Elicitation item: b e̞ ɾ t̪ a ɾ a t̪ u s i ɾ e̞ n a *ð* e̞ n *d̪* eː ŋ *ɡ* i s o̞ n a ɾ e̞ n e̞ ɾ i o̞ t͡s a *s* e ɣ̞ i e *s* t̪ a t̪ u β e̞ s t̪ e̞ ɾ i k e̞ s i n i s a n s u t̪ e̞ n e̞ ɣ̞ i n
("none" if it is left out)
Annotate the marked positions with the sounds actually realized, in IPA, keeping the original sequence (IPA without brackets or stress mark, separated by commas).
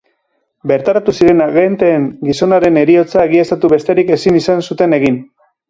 ɣ, t̪, ɡ, none, s